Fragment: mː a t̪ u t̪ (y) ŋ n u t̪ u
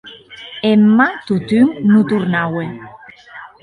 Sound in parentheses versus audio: correct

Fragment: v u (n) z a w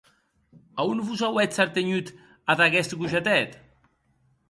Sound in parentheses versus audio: incorrect: none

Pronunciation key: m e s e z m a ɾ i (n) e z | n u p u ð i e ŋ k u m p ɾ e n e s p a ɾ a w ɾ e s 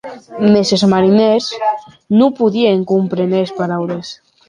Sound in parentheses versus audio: correct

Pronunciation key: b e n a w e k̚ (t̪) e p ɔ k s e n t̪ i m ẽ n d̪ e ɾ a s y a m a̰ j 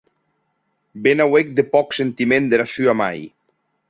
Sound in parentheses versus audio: incorrect: d̪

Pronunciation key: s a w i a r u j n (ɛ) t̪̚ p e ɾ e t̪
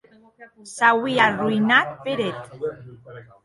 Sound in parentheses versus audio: incorrect: a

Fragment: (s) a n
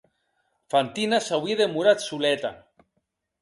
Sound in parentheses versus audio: incorrect: f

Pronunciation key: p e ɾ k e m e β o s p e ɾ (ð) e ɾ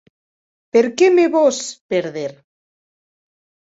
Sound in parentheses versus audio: correct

